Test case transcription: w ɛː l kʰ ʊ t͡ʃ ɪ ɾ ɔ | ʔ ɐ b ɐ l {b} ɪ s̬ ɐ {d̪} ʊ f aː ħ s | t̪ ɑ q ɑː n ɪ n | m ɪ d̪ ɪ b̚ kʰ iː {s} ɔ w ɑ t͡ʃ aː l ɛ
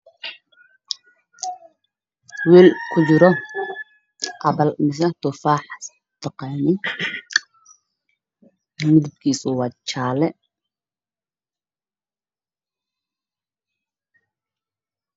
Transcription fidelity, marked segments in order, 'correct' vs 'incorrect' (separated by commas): incorrect, incorrect, correct